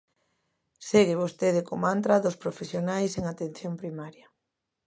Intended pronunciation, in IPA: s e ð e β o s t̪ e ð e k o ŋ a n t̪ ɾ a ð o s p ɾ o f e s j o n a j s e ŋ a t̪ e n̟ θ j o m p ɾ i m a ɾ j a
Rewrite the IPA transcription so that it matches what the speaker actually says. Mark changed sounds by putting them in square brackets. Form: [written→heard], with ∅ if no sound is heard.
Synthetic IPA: s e [ð→ɣ] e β o s t̪ e ð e k o [ŋ→m] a n t̪ ɾ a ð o s p ɾ o f e s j o n a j s e ŋ a t̪ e n̟ θ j o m p ɾ i m a ɾ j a